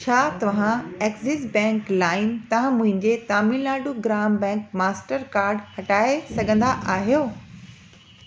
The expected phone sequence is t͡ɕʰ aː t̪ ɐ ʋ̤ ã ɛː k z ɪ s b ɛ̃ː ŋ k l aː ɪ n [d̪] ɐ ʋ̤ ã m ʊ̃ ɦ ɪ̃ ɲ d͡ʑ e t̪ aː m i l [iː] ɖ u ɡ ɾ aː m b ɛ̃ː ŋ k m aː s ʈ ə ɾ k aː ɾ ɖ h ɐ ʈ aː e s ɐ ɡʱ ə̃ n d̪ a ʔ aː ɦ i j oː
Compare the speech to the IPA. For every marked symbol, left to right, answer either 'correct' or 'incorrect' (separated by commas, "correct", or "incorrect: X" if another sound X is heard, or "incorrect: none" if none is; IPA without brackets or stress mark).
incorrect: t̪, incorrect: aː